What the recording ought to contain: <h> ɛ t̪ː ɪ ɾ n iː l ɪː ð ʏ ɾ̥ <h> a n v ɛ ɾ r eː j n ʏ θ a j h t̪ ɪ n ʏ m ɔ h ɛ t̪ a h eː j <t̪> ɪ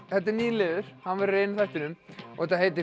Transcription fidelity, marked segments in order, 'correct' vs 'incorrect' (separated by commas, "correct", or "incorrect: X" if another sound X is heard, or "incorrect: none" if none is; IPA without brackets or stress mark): incorrect: θ, correct, correct